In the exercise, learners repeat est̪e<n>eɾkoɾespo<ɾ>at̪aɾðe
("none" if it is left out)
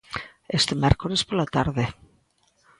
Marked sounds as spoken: m, l

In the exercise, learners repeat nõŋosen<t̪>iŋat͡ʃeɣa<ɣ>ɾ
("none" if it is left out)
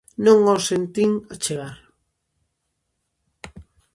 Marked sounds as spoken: t̪, none

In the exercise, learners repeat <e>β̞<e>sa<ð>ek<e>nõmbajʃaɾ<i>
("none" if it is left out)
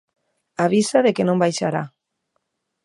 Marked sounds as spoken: a, i, ð, e, a

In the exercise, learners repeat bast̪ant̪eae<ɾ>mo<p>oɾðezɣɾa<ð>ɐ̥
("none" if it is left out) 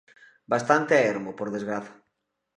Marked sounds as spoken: ɾ, p, θ

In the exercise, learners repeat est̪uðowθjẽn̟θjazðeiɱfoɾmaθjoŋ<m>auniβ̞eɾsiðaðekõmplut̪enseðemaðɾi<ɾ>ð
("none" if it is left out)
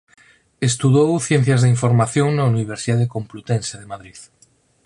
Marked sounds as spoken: n, none

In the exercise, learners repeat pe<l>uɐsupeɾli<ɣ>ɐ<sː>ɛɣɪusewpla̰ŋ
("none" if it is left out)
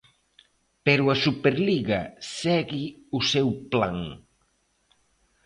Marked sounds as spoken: ɾ, ɣ, s

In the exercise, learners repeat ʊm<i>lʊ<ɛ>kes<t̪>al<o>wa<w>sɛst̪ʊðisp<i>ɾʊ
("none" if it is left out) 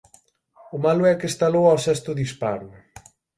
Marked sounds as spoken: a, ɛ, t̪, o, w, a

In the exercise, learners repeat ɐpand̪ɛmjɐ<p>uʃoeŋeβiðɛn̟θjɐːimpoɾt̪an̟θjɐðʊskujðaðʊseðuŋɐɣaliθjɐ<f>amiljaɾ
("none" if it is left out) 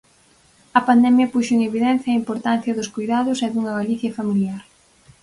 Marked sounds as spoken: p, f

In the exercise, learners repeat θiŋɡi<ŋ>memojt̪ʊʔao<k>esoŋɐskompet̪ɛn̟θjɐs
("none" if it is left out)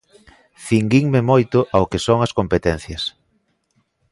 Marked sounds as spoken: ŋ, k

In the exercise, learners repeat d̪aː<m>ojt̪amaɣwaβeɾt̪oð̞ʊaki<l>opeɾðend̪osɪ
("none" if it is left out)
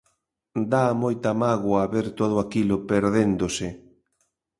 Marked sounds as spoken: m, l

